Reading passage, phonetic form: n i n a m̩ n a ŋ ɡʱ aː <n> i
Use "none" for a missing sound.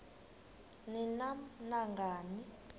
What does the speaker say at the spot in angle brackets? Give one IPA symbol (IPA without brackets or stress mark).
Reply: n